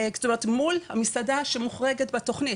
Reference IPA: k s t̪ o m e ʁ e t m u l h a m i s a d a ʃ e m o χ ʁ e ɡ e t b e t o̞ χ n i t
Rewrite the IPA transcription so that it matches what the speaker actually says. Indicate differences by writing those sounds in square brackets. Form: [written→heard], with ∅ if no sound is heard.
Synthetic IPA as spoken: k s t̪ o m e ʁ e t m u l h a m i s a d a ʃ e m [o→u] χ ʁ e ɡ e t b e t o̞ χ n i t

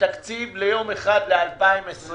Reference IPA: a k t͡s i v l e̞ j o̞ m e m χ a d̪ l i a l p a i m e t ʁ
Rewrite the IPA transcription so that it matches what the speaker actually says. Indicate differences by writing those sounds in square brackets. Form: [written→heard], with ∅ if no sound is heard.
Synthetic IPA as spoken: a k t͡s i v l e̞ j o̞ m e [m→∅] χ a d̪ l [i→e] a l p a i m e [t→s] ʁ

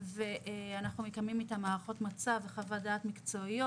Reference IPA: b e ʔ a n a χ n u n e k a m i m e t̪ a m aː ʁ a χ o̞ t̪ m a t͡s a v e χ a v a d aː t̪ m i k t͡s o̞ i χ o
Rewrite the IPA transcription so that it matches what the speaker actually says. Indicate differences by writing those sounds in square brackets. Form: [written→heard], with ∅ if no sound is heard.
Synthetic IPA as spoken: [b→v] e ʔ a n a χ n u [n→m] e k a m i m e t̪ a m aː ʁ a χ o̞ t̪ m a t͡s a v e χ a v a d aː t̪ m i k t͡s o̞ i [χ→∅] o

